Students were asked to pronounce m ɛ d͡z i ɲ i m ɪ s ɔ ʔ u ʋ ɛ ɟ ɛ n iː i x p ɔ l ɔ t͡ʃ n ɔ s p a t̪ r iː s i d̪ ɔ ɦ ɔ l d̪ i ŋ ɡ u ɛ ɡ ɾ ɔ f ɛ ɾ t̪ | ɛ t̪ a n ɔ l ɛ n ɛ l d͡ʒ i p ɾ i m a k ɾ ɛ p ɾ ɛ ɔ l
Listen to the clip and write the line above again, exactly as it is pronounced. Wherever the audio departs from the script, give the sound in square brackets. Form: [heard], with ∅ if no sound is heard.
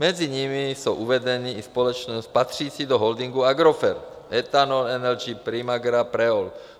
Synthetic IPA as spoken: m ɛ d͡z i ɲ i m [i] s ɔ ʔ u ʋ ɛ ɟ ɛ n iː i [s] p ɔ l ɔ t͡ʃ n ɔ s p a t̪ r iː s i d̪ ɔ ɦ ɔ l d̪ i ŋ ɡ u [a] ɡ ɾ ɔ f ɛ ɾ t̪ | ɛ t̪ a n ɔ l ɛ n ɛ l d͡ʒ i p ɾ i m a [ɡ] ɾ [a] p ɾ ɛ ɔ l

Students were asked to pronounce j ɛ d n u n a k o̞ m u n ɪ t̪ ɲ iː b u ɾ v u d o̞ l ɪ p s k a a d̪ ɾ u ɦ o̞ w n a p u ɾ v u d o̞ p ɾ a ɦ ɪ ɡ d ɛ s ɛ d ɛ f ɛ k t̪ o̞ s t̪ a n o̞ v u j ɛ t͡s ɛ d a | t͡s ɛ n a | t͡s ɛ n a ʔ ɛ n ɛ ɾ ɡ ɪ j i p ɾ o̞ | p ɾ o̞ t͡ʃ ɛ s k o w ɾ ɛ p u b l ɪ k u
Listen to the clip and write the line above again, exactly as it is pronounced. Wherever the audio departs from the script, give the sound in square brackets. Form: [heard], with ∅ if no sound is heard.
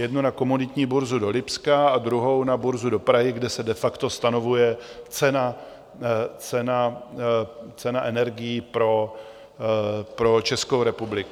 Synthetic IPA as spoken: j ɛ d n u n a k o̞ m u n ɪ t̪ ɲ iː b u ɾ [z] u d o̞ l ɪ p s k a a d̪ ɾ u ɦ o̞ w n a [b] u ɾ [z] u d o̞ p ɾ a ɦ ɪ ɡ d ɛ s ɛ d ɛ f [a] k t̪ o̞ s t̪ a n o̞ v u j ɛ t͡s ɛ [n] a | t͡s ɛ n a | t͡s ɛ n a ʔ ɛ n ɛ ɾ ɡ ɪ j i p ɾ o̞ | p ɾ o̞ t͡ʃ ɛ s k o w ɾ ɛ p u b l ɪ k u

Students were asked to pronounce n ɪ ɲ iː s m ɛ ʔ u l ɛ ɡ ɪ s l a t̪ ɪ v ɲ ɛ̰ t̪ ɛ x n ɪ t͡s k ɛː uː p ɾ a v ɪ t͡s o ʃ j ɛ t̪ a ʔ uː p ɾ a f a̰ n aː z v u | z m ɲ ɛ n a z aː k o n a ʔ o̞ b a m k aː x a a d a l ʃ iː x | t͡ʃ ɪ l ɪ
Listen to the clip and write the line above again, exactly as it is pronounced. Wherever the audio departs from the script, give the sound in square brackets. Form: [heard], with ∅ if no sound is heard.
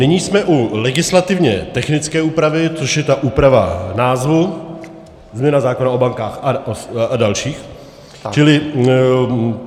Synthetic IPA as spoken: n ɪ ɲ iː s m ɛ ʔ u l ɛ ɡ ɪ s l a t̪ ɪ v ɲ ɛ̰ t̪ ɛ x n ɪ t͡s k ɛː uː p ɾ a v ɪ t͡s o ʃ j ɛ t̪ a ʔ uː p ɾ a [v] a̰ n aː z v u | z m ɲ ɛ n a z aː k o n a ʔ o̞ b a [ŋ] k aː x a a d a l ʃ iː x | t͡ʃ ɪ l ɪ

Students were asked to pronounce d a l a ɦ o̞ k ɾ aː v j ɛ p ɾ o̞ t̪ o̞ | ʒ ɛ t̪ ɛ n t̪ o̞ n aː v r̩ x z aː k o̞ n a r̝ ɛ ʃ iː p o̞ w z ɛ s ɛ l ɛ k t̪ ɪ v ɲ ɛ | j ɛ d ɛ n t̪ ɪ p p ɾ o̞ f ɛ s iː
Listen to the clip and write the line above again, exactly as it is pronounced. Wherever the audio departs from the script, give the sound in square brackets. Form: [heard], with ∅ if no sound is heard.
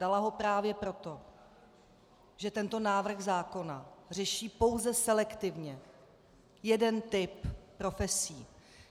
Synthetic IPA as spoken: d a l a ɦ o̞ [p] ɾ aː v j ɛ p ɾ o̞ t̪ o̞ | ʒ ɛ t̪ ɛ n t̪ o̞ n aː v r̩ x z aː k o̞ n a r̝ ɛ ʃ iː p o̞ w z ɛ s ɛ l ɛ k t̪ ɪ v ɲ ɛ | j ɛ d ɛ n t̪ ɪ p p ɾ o̞ f ɛ s iː

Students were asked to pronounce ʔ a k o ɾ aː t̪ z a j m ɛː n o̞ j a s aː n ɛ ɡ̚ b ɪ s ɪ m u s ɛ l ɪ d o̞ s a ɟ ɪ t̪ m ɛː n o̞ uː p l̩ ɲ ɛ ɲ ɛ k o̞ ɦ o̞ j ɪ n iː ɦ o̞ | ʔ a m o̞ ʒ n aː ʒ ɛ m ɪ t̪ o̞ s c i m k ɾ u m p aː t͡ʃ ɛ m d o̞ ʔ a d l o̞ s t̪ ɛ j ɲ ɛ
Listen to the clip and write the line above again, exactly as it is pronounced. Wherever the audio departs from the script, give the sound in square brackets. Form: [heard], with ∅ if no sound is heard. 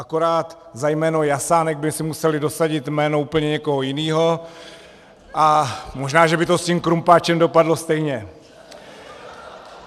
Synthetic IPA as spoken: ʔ a k o ɾ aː t̪ z a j m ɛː n o̞ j a s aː n ɛ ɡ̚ b ɪ s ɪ m u s ɛ l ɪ d o̞ s a ɟ ɪ t̪ m ɛː n o̞ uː p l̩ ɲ ɛ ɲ ɛ k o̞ ɦ o̞ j ɪ n iː ɦ o̞ | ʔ a m o̞ ʒ n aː ʒ ɛ [b] ɪ t̪ o̞ s c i m k ɾ u m p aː t͡ʃ ɛ m d o̞ [p] a d l o̞ s t̪ ɛ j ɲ ɛ

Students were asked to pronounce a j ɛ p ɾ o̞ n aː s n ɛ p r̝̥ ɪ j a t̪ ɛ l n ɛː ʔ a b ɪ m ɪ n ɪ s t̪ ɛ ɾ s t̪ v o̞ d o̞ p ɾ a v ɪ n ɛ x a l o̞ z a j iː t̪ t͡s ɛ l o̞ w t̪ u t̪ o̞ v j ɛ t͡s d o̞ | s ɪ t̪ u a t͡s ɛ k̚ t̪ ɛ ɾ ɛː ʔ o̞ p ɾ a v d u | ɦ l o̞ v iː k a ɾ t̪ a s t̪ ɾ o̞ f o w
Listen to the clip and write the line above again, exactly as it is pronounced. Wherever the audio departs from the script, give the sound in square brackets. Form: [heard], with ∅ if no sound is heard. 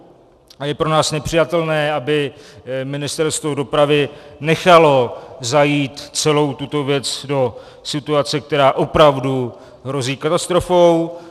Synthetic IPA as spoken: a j ɛ p ɾ o̞ n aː s n ɛ p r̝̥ ɪ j a t̪ ɛ l n ɛː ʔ a b ɪ m ɪ n ɪ s t̪ ɛ ɾ s t̪ v o̞ d o̞ p ɾ a v ɪ n ɛ x a l o̞ z a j iː t̪ t͡s ɛ l o̞ w t̪ u t̪ o̞ v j ɛ t͡s d o̞ | s ɪ t̪ u a t͡s ɛ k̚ t̪ ɛ ɾ [aː] ʔ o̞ p ɾ a v d u | ɦ [ɾ] o̞ [z] iː k a [∅] t̪ a s t̪ ɾ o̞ f o w

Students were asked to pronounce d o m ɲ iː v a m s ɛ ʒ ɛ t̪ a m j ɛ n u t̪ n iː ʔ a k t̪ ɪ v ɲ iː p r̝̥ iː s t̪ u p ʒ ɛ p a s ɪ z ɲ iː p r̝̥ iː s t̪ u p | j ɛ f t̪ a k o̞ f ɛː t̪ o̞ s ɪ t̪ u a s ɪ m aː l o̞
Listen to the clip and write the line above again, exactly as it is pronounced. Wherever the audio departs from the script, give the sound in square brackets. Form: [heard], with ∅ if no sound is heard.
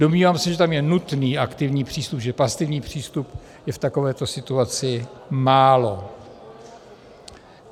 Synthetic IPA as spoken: d o m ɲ iː v a m s ɛ ʒ ɛ t̪ a m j ɛ n u t̪ n iː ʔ a k t̪ ɪ v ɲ iː p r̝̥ iː s t̪ u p ʒ ɛ p a s ɪ [v] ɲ iː p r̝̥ iː s t̪ u p | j ɛ f t̪ a k o̞ [v] ɛː t̪ o̞ s ɪ t̪ u a [t͡s] ɪ m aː l o̞

